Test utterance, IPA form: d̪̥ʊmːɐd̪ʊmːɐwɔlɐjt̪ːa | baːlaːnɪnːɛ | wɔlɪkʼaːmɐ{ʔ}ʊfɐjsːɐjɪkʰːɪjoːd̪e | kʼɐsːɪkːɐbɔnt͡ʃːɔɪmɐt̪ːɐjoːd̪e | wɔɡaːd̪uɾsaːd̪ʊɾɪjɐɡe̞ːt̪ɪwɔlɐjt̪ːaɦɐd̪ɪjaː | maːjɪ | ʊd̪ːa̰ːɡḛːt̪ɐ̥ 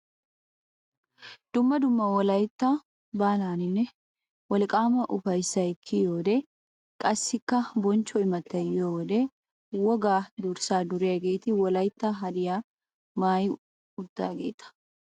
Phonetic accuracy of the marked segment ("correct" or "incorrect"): correct